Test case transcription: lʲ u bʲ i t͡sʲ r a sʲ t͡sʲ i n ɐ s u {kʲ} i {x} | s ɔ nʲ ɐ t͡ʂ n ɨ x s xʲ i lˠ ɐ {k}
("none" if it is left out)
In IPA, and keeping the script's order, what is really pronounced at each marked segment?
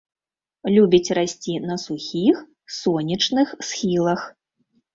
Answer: xʲ, x, x

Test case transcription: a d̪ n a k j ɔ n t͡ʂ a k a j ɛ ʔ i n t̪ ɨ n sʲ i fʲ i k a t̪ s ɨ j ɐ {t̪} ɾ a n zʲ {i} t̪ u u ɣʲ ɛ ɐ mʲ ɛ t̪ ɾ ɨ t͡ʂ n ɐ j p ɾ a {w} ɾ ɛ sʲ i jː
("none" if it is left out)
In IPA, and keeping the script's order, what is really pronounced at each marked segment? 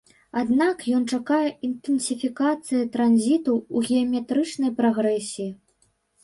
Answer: t̪, i, ɣ

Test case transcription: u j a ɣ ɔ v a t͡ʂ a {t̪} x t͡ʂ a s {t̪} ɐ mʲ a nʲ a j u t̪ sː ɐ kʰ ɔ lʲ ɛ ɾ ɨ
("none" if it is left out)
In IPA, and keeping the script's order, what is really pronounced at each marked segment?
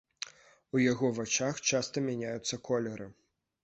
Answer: none, t̪

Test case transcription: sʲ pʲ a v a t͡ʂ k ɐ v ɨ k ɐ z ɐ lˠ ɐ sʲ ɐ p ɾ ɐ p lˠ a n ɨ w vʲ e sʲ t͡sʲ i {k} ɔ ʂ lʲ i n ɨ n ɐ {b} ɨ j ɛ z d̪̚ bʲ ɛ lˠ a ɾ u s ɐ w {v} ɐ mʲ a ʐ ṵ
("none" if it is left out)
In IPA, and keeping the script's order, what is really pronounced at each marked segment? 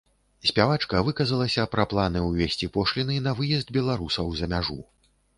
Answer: p, v, z

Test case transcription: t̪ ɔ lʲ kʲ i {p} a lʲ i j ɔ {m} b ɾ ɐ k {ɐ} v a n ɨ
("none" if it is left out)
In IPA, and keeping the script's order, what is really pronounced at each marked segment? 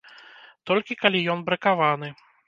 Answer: k, n, a

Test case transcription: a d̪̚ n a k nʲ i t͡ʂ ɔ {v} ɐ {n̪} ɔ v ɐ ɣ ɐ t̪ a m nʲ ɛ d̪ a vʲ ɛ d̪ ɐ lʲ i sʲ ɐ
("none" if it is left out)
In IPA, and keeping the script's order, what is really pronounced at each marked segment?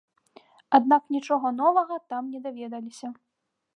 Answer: ɣ, n̪

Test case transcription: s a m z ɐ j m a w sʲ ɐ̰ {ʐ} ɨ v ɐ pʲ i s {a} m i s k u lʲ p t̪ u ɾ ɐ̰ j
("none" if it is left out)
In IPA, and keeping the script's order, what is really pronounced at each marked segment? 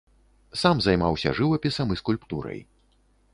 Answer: ʐ, ɐ

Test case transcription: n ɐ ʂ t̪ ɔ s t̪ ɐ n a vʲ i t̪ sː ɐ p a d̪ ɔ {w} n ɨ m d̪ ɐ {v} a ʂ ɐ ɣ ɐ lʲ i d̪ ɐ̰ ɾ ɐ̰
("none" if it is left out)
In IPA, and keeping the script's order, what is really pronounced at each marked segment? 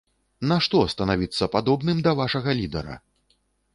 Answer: b, v

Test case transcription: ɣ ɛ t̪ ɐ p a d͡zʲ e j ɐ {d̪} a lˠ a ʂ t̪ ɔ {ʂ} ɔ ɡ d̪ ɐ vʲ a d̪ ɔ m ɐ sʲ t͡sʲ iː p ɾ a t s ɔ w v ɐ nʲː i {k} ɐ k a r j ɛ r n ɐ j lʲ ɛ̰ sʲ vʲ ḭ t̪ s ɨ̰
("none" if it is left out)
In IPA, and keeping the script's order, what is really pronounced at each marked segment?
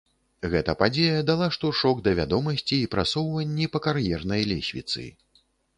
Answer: d̪, ʂ, p

